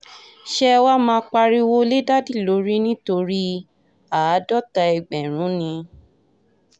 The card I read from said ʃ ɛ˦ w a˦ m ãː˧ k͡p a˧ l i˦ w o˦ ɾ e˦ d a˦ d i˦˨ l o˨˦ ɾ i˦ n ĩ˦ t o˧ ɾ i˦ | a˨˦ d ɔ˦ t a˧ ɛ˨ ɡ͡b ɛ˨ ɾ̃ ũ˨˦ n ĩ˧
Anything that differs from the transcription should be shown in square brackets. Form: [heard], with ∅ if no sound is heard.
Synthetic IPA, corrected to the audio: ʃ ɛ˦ w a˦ m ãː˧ k͡p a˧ [ɾ] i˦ w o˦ [l] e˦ d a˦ d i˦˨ l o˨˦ ɾ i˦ n ĩ˦ t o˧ ɾ i˦ | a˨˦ d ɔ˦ t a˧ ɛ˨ ɡ͡b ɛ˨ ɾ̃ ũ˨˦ n ĩ˧

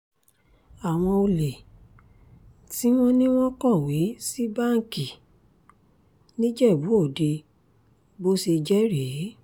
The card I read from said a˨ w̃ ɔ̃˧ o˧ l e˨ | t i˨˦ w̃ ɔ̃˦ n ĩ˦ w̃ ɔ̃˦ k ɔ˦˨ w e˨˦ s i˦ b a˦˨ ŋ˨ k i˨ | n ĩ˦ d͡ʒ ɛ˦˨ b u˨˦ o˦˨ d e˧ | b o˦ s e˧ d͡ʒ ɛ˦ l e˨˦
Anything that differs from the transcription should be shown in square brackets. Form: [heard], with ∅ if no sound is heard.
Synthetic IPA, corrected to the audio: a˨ w̃ ɔ̃˧ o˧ l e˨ | t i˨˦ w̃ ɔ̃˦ n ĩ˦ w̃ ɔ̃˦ k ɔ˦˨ w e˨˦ s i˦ b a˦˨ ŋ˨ k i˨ | n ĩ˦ d͡ʒ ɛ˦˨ b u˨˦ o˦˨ d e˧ | b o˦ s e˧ d͡ʒ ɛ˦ [ɾ] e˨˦

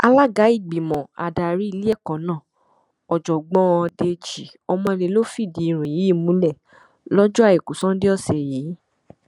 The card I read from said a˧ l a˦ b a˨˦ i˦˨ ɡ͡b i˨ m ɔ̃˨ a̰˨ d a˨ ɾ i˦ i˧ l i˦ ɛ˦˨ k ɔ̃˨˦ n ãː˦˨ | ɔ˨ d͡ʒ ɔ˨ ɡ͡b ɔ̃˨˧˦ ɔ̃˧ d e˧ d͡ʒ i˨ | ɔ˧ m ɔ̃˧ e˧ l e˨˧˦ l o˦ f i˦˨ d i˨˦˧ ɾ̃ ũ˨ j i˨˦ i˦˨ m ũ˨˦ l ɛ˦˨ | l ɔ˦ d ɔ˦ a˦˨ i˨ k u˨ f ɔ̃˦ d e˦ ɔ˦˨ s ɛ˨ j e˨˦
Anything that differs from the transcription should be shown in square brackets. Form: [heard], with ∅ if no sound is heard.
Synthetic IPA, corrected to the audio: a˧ l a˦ [ɡ] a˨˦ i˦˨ ɡ͡b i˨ m ɔ̃˨ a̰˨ d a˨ ɾ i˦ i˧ l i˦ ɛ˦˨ k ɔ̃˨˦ n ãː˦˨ | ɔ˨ d͡ʒ ɔ˨ ɡ͡b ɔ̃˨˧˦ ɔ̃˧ d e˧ d͡ʒ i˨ | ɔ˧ m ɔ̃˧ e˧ l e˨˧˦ l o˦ f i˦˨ d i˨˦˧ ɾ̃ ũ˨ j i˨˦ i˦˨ m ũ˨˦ l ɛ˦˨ | l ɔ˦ [d͡ʒ] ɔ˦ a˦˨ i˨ k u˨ [s] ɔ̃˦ d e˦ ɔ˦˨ s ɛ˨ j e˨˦

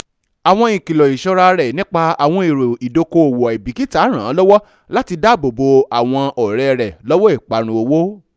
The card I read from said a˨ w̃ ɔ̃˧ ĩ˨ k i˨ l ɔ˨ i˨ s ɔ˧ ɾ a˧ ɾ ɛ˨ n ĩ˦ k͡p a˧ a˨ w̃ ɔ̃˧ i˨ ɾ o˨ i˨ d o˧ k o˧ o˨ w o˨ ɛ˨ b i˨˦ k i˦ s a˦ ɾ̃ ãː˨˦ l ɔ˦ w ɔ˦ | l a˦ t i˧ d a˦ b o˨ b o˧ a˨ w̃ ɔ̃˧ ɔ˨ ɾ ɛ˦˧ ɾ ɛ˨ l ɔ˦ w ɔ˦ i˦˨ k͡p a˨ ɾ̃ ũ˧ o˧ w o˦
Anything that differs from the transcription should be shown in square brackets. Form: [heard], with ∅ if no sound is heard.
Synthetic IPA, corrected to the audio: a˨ w̃ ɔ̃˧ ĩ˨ k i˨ l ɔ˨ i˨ [ʃ] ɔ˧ ɾ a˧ ɾ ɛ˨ n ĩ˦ k͡p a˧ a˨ w̃ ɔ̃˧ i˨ ɾ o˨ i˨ d o˧ k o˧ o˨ w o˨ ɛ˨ b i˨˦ k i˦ [t] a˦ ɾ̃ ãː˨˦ l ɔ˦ w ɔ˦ | l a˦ t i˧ d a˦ b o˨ b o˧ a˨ w̃ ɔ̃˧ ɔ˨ ɾ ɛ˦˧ ɾ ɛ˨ l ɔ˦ w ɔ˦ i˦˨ k͡p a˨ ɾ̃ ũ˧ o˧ w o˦

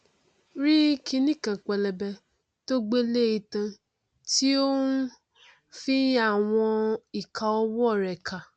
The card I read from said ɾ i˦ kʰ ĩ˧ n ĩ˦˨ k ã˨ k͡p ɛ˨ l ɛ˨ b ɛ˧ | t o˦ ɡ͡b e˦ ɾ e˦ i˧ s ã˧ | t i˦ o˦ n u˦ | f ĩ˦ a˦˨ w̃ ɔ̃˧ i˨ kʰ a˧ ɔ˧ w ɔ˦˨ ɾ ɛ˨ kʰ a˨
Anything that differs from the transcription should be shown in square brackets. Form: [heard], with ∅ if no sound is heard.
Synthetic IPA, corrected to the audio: ɾ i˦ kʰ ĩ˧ n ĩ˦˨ k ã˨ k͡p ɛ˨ l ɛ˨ b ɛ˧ | t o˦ ɡ͡b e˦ [l] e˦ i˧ [t] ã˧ | t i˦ o˦ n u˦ | f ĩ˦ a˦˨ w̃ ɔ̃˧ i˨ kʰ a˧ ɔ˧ w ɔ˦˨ ɾ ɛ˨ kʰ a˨

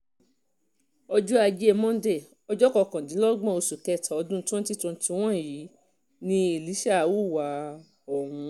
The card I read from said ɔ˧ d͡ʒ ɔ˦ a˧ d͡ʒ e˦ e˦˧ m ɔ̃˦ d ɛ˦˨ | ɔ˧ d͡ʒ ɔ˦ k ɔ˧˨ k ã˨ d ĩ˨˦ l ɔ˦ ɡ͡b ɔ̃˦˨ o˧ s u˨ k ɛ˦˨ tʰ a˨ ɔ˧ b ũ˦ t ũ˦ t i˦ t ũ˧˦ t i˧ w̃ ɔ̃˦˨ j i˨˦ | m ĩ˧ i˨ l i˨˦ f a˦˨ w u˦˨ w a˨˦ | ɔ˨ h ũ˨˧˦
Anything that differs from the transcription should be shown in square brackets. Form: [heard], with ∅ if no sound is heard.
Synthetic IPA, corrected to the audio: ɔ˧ d͡ʒ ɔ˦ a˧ d͡ʒ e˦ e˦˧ m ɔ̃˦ d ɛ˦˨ | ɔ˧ d͡ʒ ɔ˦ k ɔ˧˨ k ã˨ d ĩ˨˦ l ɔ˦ ɡ͡b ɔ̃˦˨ o˧ s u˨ k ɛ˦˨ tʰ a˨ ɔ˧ [d] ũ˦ t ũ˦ t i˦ t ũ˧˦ t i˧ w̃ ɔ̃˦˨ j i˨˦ | [n] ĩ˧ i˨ l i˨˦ [ʃ] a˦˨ w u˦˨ w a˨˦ | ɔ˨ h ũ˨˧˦

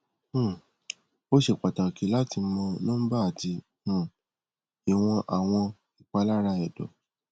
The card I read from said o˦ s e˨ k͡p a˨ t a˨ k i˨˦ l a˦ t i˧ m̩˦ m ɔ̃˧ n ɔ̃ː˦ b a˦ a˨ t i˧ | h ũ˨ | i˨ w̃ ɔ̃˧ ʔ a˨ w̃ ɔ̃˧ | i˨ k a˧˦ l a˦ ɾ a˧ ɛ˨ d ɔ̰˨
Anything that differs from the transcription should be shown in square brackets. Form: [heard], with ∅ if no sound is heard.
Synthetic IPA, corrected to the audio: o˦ [ʃ] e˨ k͡p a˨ t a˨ k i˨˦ l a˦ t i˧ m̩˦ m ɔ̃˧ n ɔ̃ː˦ b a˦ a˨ t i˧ | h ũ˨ | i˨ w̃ ɔ̃˧ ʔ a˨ w̃ ɔ̃˧ | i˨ [k͡p] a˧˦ l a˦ ɾ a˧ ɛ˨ d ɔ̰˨

